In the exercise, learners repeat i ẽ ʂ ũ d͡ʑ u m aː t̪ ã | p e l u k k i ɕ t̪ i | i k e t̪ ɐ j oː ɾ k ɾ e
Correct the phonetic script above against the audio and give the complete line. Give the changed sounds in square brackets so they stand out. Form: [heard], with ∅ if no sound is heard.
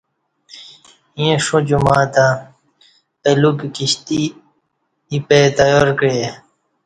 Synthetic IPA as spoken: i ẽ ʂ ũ d͡ʑ u m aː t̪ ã | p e l u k k i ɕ t̪ i | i [p] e t̪ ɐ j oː ɾ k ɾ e